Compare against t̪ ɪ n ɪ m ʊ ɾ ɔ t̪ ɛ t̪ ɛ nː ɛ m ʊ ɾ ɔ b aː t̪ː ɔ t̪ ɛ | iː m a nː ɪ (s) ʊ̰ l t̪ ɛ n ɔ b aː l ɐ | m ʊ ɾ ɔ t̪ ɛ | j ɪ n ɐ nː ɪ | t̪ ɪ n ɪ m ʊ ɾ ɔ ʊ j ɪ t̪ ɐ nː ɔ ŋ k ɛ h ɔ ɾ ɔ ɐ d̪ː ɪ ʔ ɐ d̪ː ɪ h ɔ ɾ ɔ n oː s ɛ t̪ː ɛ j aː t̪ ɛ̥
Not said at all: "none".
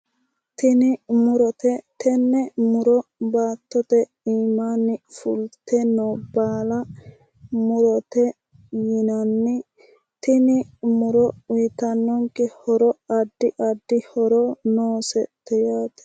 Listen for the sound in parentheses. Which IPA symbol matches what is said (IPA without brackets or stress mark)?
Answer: f